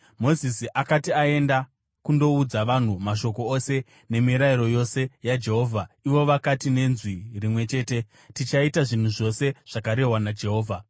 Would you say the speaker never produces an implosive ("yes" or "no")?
yes